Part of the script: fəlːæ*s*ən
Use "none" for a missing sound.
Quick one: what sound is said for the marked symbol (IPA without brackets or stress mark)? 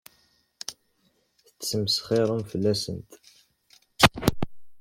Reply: s